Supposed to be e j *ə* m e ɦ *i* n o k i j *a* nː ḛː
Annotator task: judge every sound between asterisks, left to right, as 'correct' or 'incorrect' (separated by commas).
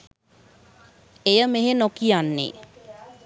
correct, incorrect, correct